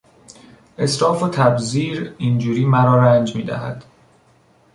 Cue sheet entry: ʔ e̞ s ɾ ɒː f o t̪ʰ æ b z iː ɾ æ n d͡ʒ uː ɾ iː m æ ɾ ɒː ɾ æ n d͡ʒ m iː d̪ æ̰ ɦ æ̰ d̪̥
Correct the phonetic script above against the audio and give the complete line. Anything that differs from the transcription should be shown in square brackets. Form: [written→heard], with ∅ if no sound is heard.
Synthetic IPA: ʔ e̞ s ɾ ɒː f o t̪ʰ æ b z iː ɾ [æ→i] n d͡ʒ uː ɾ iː m æ ɾ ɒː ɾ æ n d͡ʒ m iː d̪ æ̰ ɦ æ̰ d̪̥